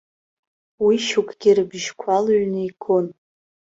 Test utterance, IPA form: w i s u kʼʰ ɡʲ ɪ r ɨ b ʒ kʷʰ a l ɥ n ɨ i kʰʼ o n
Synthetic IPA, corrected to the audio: w i ʃ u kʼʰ ɡʲ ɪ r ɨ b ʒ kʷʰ a l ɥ n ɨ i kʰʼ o n